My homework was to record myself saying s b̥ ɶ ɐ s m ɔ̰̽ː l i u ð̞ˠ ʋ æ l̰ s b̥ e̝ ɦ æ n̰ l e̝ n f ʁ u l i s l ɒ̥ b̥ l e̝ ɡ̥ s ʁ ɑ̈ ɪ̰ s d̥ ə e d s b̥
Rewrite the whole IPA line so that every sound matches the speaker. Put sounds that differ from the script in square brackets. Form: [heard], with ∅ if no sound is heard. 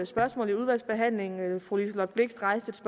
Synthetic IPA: s b̥ ɶ ɐ s m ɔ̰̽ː l i u ð̞ˠ ʋ æ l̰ s b̥ e̝ ɦ æ n̰ l e̝ [ŋ] f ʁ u l i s l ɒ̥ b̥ l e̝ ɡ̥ s ʁ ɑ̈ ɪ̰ s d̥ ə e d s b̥